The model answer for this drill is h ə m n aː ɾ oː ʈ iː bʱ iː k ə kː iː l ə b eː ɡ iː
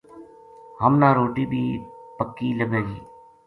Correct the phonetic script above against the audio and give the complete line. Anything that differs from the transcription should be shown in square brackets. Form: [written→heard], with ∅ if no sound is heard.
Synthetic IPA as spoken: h ə m n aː ɾ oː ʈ iː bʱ iː [k→p] ə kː iː l ə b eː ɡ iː